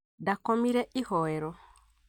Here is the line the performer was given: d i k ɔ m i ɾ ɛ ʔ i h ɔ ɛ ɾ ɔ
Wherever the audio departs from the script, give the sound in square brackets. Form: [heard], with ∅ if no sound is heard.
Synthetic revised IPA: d [a] k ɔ m i ɾ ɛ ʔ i h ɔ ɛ ɾ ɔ